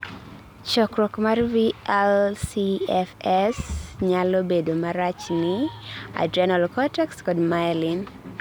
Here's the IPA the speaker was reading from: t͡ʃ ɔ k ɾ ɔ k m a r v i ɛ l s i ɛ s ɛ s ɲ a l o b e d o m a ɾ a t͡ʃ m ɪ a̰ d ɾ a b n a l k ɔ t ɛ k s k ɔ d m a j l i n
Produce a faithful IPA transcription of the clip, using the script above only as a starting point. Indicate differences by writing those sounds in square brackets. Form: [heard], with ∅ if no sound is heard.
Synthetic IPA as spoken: t͡ʃ ɔ k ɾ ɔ k m a r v i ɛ l s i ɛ [f] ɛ s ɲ a l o b e d o m a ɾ a t͡ʃ [n] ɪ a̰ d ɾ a [∅] n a l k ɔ t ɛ k s k ɔ d m a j l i n